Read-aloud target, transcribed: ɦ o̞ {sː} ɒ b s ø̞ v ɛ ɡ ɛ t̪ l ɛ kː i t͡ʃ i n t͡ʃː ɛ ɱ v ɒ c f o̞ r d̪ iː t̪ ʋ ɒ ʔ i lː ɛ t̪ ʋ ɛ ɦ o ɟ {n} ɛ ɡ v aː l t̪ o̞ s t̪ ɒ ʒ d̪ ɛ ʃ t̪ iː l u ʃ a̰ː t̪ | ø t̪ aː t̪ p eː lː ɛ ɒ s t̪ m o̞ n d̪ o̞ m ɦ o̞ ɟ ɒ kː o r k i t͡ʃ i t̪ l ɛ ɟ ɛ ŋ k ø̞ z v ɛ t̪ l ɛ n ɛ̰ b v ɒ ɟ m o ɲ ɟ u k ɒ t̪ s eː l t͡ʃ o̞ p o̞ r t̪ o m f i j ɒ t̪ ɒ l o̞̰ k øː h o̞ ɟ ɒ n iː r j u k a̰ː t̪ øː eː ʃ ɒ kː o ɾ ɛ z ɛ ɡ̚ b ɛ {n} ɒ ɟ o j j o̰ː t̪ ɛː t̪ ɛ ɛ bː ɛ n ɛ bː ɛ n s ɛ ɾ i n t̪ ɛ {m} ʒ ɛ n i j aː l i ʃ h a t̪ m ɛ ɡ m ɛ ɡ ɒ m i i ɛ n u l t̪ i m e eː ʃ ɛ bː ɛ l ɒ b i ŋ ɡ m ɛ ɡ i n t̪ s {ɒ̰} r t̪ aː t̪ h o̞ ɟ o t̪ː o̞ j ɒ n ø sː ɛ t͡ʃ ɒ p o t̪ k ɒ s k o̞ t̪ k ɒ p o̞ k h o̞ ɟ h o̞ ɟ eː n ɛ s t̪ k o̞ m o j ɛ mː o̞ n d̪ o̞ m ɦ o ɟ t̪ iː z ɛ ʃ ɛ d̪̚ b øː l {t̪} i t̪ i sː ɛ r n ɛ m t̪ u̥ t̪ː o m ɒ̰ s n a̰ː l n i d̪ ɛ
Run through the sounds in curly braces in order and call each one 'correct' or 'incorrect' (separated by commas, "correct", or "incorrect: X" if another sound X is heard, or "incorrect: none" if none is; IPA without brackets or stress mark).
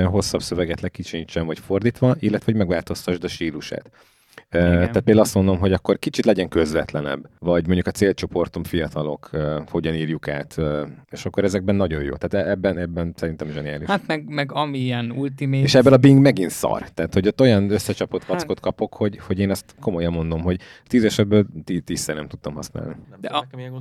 correct, incorrect: m, incorrect: nː, correct, correct, correct